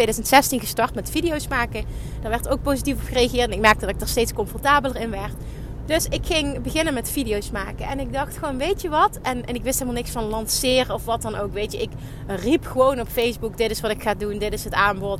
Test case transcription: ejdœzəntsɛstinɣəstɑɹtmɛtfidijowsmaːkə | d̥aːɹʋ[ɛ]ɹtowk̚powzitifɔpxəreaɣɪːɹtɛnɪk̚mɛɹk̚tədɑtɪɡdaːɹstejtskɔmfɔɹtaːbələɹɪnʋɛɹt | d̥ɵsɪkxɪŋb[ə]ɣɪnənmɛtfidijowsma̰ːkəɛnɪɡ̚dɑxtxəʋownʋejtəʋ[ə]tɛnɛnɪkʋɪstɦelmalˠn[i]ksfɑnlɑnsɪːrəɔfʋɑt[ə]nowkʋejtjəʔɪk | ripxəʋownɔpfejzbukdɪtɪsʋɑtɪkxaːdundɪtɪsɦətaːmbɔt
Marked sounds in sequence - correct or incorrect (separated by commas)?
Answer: correct, correct, incorrect, incorrect, incorrect